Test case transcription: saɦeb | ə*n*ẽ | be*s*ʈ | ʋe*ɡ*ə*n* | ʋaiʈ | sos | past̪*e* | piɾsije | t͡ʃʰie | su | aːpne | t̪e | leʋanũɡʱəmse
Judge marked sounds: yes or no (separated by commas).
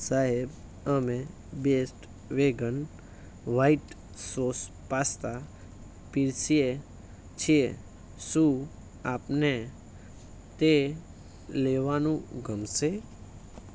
no, yes, yes, yes, no